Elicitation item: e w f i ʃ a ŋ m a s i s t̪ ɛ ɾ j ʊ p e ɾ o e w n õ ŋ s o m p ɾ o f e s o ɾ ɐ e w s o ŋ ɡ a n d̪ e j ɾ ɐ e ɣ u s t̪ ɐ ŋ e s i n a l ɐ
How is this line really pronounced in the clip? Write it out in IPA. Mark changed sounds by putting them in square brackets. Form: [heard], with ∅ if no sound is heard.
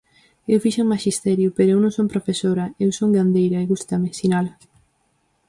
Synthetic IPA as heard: e w f i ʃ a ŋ m a [ʃ] i s t̪ ɛ ɾ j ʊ p e ɾ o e w n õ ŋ s o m p ɾ o f e s o ɾ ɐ e w s o ŋ ɡ a n d̪ e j ɾ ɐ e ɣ u s t̪ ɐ [m] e s i n a l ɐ